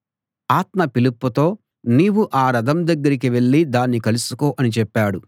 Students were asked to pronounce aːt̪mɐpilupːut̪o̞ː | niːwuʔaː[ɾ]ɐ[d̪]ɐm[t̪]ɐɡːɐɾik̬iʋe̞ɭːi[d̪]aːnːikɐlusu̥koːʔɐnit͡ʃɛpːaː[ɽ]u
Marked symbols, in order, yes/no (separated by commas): yes, yes, no, yes, yes